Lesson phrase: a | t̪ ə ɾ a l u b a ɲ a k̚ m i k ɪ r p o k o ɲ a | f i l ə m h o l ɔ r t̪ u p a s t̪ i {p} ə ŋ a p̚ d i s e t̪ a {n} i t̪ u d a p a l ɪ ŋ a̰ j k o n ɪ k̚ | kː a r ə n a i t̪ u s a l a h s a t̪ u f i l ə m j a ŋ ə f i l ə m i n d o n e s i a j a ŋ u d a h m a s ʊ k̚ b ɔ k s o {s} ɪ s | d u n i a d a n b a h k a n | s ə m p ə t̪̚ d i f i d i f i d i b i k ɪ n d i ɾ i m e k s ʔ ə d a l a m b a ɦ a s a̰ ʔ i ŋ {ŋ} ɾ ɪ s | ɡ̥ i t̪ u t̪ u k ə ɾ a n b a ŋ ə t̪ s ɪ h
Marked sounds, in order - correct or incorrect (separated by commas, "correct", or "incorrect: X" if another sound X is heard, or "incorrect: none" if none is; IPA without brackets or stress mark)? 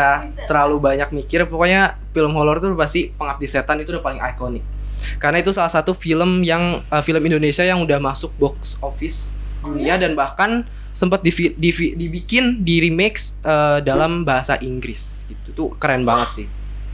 correct, correct, incorrect: f, incorrect: ɡ